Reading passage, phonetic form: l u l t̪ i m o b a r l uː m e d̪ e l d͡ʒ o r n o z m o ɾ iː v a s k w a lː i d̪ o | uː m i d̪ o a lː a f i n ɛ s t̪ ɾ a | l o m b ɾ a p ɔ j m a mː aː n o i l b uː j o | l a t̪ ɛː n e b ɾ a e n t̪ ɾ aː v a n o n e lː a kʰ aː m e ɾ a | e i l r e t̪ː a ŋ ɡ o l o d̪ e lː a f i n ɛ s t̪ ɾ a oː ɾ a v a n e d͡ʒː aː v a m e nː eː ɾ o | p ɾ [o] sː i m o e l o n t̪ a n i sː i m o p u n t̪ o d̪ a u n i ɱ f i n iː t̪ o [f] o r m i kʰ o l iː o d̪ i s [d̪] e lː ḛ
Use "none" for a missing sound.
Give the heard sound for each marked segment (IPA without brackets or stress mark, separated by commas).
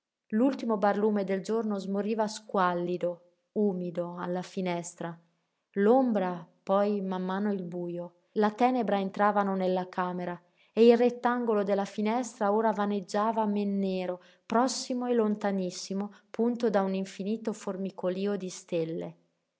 ɔ, f, t̪